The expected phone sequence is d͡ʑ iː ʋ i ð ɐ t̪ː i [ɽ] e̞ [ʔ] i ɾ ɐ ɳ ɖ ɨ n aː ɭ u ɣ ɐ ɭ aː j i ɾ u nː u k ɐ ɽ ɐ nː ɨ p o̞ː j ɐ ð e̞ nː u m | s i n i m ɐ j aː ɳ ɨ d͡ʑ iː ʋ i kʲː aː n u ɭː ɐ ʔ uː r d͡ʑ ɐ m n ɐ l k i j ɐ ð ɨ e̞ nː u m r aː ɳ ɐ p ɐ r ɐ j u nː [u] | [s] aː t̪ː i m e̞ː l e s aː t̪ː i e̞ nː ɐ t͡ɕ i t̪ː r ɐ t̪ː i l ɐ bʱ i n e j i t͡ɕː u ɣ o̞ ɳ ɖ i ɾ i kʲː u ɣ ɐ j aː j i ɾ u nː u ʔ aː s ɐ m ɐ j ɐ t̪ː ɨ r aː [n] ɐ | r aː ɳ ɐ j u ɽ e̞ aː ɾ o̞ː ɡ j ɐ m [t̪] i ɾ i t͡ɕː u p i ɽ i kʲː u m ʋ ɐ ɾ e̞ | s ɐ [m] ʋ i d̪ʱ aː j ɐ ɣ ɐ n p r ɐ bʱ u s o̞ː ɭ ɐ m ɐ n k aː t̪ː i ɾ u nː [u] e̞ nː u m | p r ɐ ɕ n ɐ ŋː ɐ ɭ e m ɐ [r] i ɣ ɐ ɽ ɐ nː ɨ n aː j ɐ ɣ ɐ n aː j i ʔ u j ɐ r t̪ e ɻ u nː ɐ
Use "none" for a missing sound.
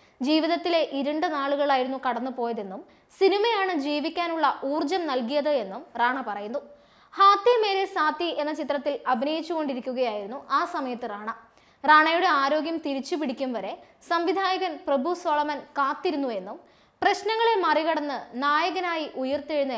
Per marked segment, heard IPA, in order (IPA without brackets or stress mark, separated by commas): l, ʔ, u, h, ɳ, t̪, m, u, r